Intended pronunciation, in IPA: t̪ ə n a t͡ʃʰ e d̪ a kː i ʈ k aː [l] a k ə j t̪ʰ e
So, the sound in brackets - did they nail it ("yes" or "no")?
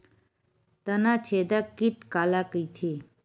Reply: yes